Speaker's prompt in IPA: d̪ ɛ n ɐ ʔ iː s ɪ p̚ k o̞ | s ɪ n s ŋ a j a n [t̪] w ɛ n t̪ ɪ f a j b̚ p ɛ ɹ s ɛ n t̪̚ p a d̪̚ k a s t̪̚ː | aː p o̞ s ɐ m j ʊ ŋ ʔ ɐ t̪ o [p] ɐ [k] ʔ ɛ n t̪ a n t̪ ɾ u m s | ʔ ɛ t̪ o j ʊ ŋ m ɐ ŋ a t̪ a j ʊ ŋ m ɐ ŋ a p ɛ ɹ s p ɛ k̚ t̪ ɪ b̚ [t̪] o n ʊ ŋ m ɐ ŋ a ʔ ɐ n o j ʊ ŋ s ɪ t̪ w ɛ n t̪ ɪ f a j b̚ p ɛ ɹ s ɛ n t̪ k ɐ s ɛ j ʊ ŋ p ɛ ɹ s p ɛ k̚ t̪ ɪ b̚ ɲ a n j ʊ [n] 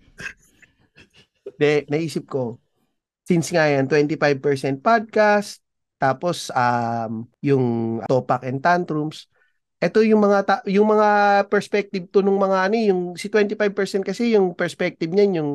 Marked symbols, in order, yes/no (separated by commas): yes, yes, yes, yes, no